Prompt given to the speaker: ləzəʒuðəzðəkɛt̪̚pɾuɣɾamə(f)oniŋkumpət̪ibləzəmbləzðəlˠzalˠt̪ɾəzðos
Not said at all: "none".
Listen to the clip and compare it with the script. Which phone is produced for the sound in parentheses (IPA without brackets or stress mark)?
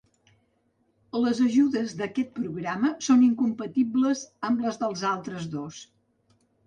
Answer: s